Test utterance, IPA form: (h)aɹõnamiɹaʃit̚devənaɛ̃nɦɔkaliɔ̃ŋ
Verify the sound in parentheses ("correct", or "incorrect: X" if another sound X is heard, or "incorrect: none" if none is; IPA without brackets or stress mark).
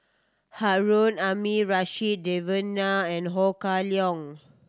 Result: correct